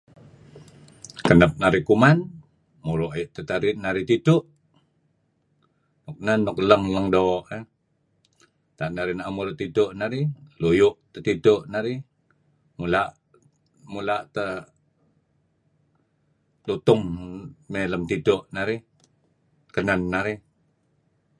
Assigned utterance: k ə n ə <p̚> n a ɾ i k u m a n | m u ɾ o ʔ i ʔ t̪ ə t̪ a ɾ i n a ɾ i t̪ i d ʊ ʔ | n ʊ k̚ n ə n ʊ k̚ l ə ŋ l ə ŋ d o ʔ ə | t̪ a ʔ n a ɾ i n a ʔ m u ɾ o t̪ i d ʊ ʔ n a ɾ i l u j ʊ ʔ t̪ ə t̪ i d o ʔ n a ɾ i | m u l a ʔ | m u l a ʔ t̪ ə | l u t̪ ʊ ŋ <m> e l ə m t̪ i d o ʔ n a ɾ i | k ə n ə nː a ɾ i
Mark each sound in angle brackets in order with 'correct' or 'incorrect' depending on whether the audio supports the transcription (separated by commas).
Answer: correct, correct